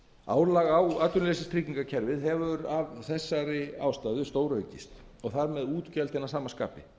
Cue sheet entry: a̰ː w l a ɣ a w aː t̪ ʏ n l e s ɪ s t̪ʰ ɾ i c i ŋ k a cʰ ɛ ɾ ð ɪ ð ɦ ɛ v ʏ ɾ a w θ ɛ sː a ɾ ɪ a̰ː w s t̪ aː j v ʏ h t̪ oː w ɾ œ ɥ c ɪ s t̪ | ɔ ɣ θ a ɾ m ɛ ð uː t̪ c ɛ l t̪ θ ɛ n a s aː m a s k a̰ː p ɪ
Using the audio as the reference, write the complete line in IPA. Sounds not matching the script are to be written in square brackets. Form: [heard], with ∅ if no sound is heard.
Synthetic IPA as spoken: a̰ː w l a ɣ a w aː t̪ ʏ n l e s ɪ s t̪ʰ ɾ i c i ŋ k a cʰ ɛ ɾ [v] ɪ ð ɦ ɛ v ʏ ɾ a [v] θ ɛ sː a ɾ ɪ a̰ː w s t̪ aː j [ð] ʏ [s] t̪ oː w ɾ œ ɥ c ɪ s t̪ | ɔ ɣ θ a ɾ m ɛ ð uː t̪ c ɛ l t̪ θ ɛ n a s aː m a s k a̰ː p ɪ